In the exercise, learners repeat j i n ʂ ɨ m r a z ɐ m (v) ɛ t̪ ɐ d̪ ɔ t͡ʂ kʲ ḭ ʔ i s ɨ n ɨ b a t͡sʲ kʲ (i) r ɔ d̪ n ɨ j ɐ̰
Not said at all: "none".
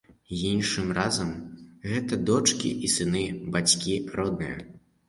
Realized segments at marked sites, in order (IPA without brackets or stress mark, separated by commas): ɣ, i